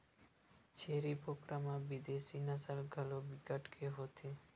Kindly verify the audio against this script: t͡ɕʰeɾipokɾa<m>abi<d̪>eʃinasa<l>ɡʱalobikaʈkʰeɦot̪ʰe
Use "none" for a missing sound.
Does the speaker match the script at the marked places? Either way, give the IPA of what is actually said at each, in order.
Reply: m, d̪, l

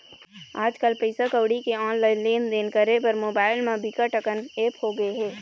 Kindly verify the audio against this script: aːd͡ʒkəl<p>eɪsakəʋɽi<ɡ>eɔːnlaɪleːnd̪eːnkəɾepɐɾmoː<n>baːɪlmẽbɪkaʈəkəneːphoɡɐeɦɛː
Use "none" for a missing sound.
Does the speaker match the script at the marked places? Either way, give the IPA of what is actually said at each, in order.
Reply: p, k, none

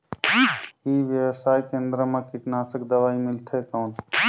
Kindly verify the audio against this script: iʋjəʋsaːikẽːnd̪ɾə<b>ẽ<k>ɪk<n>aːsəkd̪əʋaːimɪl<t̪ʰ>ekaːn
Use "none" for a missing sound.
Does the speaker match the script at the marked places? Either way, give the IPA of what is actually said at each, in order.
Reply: m, k, n, t̪ʰ

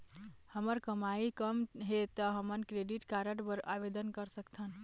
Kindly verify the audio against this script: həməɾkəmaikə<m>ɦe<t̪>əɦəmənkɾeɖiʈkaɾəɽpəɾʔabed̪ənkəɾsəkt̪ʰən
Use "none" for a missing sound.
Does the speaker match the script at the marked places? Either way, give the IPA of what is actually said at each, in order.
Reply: m, t̪

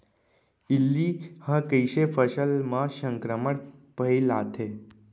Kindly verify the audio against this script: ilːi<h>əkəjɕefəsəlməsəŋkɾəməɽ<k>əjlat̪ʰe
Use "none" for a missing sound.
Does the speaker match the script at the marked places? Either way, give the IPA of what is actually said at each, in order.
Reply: h, p

